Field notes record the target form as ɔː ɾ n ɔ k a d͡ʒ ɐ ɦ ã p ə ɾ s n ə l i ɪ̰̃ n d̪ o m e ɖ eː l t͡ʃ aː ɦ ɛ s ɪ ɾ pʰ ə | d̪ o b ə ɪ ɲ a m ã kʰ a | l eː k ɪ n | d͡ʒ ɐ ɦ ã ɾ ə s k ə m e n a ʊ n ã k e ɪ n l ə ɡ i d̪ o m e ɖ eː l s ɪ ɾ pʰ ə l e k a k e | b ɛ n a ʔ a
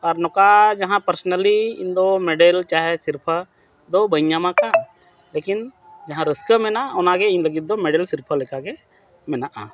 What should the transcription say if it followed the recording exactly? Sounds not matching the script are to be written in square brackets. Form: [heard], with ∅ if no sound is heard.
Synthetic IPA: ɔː ɾ n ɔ k a d͡ʒ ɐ ɦ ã p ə ɾ s n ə l i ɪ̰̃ n d̪ o m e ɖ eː l t͡ʃ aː ɦ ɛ s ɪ ɾ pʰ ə | d̪ o b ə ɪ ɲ a m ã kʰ a | l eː k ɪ n | d͡ʒ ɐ ɦ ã ɾ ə s k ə m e n a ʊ n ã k e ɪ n l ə ɡ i d̪ o m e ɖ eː l s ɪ ɾ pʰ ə l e k a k e | [m] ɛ n a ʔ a

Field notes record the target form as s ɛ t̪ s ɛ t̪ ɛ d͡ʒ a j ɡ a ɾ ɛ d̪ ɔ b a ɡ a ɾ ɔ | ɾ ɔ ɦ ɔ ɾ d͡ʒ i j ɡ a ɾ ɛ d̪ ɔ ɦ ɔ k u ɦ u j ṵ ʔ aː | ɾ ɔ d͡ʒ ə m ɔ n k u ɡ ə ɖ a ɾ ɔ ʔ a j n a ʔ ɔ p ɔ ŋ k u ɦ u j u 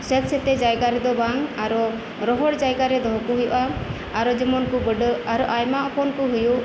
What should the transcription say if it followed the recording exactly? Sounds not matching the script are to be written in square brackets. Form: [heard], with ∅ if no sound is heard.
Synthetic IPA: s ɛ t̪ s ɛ t̪ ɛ d͡ʒ a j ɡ a ɾ ɛ d̪ ɔ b a [ŋ] a ɾ ɔ | ɾ ɔ ɦ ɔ [ɽ] d͡ʒ [a] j ɡ a ɾ ɛ d̪ ɔ ɦ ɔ k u ɦ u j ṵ ʔ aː | ɾ ɔ d͡ʒ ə m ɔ n k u [b] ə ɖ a ɾ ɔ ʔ a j [m] a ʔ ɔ p ɔ [n] k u ɦ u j u

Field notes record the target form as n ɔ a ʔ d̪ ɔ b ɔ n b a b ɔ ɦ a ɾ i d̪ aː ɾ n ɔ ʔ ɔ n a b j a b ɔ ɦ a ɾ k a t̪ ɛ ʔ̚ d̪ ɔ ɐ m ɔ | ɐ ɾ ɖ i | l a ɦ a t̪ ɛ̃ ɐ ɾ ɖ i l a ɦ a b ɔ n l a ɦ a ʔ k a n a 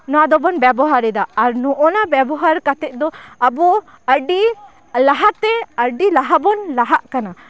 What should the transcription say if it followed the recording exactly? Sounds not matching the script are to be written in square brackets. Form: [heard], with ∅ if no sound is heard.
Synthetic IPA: n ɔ a [∅] d̪ ɔ b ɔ n b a b ɔ ɦ a ɾ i d̪ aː ɾ n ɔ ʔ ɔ n a b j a b ɔ ɦ a ɾ k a t̪ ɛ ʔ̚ d̪ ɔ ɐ [b] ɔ | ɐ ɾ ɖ i | l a ɦ a t̪ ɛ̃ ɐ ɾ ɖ i l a ɦ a b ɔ n l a ɦ a ʔ k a n a

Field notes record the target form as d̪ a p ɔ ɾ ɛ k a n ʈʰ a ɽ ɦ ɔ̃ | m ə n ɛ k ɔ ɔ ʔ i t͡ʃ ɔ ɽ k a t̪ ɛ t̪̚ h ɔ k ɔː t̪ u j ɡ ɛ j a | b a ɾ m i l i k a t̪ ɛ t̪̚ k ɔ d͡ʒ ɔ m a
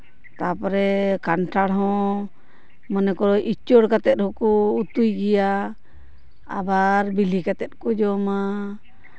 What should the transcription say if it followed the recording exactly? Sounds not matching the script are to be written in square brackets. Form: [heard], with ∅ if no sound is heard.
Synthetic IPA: [t̪] a p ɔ ɾ ɛ k a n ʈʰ a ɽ ɦ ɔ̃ | m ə n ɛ k ɔ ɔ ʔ i t͡ʃ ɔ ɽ k a t̪ ɛ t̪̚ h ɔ k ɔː t̪ u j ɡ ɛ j a | b a ɾ [b] i l i k a t̪ ɛ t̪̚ k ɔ d͡ʒ ɔ m a

